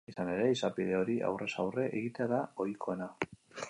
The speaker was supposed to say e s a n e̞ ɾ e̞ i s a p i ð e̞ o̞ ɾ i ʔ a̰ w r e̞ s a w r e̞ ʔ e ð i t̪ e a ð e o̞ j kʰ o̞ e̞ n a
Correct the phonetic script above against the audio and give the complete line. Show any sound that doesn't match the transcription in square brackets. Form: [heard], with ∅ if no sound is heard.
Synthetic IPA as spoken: [i] s a n e̞ ɾ e̞ i s a p i ð e̞ o̞ ɾ i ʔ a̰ w r e̞ s a w r e̞ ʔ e [ɣ] i t̪ e a ð [a] o̞ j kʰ o̞ e̞ n a